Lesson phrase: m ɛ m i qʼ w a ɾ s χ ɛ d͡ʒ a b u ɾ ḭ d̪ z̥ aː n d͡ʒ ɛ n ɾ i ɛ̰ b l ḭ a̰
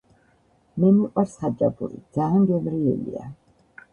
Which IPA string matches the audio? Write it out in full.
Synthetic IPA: m ɛ m i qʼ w a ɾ s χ a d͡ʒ a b u ɾ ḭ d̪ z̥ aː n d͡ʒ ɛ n ɾ i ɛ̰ l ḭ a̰